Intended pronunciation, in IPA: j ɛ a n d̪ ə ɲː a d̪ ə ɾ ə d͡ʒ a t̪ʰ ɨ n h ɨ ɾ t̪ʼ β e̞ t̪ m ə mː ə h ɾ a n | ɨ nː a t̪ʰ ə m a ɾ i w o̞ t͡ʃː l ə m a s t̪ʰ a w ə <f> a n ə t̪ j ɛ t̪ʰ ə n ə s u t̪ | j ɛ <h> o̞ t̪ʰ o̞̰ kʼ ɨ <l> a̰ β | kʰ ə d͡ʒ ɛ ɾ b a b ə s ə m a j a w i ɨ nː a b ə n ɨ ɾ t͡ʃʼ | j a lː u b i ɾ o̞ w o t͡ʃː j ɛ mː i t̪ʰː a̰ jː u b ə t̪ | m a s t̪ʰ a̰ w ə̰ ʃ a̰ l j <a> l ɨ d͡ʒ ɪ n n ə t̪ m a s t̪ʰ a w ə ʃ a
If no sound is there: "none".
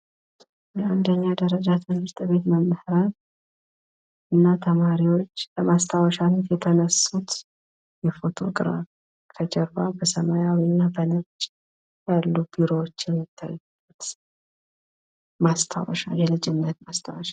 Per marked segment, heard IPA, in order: ʃ, f, ɾ, ɛ

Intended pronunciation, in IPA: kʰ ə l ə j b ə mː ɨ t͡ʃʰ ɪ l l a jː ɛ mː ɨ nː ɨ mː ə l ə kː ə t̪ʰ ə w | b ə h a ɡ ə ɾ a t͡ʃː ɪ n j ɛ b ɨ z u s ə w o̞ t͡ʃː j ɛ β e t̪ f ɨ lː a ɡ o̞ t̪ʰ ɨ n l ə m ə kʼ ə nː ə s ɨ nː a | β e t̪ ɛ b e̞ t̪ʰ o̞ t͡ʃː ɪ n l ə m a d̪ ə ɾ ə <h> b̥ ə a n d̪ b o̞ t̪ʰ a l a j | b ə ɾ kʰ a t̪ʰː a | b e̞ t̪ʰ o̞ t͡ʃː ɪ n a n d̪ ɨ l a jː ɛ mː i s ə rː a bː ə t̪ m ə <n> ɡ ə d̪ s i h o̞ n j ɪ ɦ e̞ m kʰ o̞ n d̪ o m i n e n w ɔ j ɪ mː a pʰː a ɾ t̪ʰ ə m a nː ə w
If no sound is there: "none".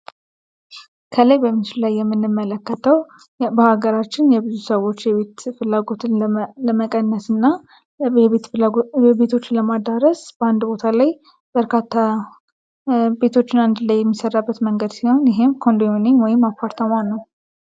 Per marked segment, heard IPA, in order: s, ŋ

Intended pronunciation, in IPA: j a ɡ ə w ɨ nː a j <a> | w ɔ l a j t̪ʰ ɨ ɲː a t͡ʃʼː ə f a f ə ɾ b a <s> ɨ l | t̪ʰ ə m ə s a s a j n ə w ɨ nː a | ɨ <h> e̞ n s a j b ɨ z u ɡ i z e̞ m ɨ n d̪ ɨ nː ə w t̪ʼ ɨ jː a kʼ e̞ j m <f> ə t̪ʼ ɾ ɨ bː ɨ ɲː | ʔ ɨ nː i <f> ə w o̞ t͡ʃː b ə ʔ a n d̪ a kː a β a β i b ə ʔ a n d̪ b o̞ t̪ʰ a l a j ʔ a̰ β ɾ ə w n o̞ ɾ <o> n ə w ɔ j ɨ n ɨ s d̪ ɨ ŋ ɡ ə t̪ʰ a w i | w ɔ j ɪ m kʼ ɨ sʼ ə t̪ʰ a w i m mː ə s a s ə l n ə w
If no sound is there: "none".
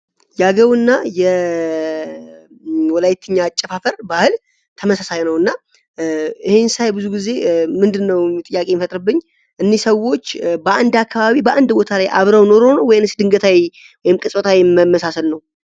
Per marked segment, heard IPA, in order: ɛ, h, h, f, s, o

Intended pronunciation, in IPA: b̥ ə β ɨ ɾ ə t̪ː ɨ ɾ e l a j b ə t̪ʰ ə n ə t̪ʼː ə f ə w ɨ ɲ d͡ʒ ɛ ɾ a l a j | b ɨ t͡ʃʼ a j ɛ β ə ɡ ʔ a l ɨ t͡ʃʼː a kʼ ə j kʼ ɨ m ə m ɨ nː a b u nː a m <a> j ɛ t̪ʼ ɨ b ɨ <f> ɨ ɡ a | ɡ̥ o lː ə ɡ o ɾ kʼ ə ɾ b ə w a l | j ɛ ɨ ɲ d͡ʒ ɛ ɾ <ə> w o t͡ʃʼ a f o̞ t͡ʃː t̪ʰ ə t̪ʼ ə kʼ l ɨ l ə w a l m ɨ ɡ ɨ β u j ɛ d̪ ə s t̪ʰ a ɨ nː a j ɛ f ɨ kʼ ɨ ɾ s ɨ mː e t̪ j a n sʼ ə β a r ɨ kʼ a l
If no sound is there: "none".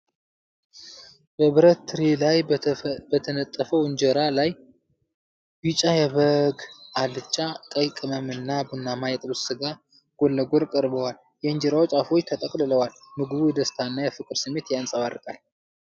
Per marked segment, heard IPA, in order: a, s, a

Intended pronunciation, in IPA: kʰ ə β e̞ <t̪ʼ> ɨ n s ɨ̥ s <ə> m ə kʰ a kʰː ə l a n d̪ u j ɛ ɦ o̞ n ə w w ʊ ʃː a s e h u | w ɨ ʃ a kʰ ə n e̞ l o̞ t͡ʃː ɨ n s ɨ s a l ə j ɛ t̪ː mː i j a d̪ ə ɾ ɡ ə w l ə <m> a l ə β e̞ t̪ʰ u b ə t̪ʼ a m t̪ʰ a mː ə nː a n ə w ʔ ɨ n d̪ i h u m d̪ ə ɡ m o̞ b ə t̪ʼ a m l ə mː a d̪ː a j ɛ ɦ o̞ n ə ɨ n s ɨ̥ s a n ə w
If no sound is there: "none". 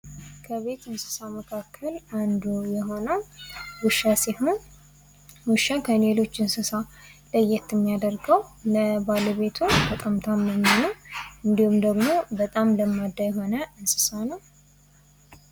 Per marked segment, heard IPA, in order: t̪, a, b

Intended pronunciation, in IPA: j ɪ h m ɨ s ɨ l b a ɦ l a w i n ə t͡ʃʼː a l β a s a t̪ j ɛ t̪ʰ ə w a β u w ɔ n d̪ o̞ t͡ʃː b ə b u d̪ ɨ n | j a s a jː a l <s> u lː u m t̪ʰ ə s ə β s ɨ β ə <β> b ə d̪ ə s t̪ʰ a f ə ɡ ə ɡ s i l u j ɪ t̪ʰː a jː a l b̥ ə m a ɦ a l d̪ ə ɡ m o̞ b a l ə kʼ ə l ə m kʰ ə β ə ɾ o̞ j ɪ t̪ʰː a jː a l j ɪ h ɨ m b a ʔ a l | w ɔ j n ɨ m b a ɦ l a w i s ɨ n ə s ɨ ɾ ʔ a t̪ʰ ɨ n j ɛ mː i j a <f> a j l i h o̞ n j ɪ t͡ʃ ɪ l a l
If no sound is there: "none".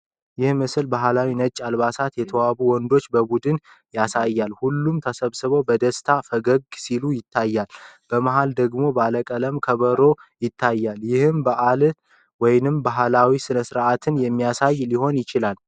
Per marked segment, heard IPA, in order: h, w, s

